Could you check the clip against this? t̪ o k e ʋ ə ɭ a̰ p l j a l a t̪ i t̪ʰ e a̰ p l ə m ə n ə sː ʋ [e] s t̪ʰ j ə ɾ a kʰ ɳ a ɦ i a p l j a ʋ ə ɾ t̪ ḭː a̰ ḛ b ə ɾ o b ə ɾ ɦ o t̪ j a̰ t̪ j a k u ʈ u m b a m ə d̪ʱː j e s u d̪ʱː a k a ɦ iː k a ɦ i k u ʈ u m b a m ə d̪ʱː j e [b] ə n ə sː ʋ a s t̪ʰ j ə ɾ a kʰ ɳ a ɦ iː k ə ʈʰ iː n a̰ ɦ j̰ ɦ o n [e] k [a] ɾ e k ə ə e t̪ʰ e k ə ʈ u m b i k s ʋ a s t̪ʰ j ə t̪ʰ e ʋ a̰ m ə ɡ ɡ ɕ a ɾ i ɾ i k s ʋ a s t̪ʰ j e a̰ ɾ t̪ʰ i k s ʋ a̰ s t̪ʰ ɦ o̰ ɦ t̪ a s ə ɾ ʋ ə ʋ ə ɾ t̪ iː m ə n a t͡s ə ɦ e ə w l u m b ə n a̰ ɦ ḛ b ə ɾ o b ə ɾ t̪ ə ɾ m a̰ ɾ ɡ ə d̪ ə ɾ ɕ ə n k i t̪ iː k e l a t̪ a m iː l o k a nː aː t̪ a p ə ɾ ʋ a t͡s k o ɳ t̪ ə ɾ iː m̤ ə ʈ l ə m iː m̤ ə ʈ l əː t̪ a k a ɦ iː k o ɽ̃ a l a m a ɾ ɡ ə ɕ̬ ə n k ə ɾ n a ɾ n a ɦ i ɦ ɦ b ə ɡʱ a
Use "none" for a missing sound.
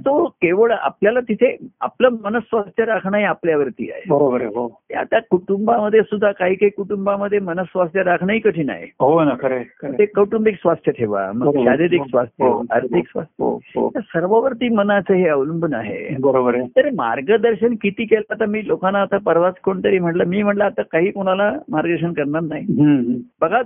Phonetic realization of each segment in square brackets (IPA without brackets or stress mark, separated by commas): a, m, a, ə